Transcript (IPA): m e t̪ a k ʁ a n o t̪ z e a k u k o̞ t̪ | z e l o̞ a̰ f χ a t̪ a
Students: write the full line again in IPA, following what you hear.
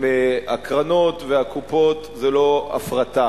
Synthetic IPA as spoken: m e a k ʁ a n o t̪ v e a k u p o̞ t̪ | z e l o̞ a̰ f ʁ a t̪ a